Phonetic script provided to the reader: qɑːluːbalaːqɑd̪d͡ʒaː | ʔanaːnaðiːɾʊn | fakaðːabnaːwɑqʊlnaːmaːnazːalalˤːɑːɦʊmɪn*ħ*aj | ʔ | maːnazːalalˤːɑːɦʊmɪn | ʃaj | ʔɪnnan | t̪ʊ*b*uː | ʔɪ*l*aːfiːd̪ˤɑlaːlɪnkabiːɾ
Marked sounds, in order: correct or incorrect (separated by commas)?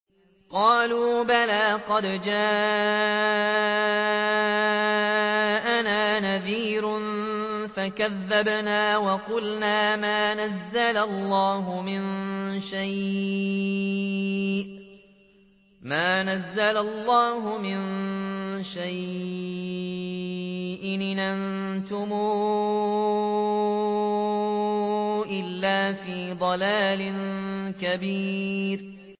incorrect, incorrect, incorrect